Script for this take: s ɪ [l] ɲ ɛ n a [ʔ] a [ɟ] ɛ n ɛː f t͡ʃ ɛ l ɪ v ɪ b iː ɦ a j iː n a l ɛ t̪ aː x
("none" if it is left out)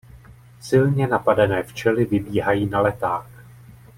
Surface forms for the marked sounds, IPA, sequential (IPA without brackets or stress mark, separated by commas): l, p, d